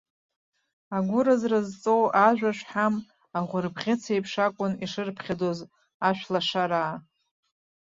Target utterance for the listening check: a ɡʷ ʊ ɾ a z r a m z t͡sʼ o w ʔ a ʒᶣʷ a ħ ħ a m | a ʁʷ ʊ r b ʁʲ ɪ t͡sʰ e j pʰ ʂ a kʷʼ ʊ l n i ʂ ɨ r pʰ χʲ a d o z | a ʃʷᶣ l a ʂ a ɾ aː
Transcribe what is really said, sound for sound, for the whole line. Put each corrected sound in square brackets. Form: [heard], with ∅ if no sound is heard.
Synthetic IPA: a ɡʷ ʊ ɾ a z r a [∅] z t͡sʼ o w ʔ a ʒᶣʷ a [ʂ] ħ a m | a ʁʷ ʊ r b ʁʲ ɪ t͡sʰ e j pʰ ʂ a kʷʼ ʊ [∅] n i ʂ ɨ r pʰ χʲ a d o z | a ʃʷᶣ l a ʂ a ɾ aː